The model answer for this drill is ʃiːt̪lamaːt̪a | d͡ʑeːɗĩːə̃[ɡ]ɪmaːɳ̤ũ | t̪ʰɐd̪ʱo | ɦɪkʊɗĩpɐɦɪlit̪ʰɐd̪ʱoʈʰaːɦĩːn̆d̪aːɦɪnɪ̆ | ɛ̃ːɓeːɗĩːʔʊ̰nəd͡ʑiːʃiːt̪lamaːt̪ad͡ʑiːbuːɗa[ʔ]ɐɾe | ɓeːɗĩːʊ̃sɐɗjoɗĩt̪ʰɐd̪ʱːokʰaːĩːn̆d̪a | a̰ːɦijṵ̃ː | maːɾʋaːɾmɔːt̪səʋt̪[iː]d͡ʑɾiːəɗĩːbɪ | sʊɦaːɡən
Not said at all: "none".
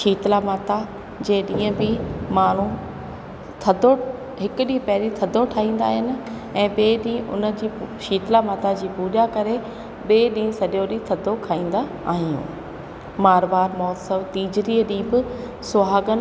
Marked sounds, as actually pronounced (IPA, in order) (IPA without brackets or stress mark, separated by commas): b, k, iː